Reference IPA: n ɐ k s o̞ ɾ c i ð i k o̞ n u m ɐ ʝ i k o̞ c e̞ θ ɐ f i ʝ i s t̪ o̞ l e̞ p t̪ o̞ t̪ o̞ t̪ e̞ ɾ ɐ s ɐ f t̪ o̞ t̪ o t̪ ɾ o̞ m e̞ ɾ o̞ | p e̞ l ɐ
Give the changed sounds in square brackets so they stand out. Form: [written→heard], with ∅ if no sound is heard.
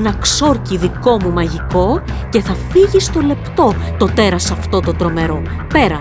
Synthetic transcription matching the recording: n ɐ k s o̞ ɾ c i ð i k o̞ [n→m] u m ɐ ʝ i k o̞ c e̞ θ ɐ f i ʝ i s t̪ o̞ l e̞ p t̪ o̞ t̪ o̞ t̪ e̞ ɾ ɐ s ɐ f t̪ o̞ t̪ o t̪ ɾ o̞ m e̞ ɾ o̞ | p e̞ [l→ɾ] ɐ